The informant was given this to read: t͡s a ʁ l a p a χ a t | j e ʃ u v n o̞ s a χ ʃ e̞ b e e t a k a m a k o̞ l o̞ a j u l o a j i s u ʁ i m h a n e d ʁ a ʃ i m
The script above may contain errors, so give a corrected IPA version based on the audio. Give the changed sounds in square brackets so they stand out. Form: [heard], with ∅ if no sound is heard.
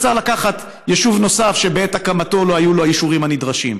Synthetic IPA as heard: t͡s a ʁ l a [k] a χ a t | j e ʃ u v n o̞ s a [f] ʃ e̞ b e e t a k a m a [t] o̞ l o̞ a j u l o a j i [ʃ] u ʁ i m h a n [i] d ʁ a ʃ i m